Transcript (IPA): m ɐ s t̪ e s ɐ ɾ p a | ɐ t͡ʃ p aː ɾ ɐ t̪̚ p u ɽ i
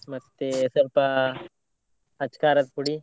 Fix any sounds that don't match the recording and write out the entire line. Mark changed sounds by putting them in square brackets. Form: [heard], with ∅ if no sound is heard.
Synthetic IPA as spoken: m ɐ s t̪ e s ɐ ɾ p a | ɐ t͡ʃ [k] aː ɾ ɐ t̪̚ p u ɽ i